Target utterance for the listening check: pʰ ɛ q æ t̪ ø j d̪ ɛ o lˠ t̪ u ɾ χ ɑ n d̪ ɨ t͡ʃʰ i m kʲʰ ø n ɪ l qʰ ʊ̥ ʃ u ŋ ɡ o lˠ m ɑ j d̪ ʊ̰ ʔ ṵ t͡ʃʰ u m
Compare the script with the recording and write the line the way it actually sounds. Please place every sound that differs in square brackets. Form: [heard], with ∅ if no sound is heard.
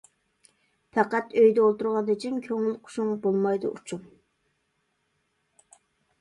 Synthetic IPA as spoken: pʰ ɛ q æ t̪ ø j d̪ ɛ o lˠ t̪ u ɾ [ʁ] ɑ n d̪ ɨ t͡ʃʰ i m kʲʰ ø [ŋ] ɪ l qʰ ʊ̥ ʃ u ŋ [b] o lˠ m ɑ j d̪ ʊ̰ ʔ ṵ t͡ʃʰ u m